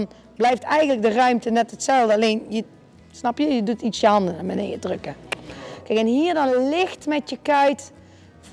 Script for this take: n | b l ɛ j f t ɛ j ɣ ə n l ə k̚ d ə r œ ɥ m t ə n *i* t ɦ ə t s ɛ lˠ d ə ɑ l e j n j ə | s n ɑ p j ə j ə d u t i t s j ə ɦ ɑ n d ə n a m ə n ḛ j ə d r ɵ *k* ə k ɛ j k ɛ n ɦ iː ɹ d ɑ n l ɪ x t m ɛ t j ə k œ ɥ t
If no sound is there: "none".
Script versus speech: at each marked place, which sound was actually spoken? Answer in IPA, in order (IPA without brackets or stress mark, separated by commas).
ɛ, k